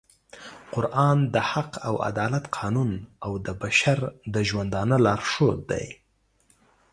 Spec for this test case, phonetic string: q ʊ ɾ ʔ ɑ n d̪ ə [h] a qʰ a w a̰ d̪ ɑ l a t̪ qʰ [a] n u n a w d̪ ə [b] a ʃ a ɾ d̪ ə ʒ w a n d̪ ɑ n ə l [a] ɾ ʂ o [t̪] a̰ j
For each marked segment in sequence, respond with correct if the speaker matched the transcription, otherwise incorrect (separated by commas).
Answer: correct, incorrect, correct, incorrect, incorrect